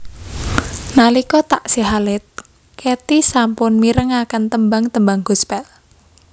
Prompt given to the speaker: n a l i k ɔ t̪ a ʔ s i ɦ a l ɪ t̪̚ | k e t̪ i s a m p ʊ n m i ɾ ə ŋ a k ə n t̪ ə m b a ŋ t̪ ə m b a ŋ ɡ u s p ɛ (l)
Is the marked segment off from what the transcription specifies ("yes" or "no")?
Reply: no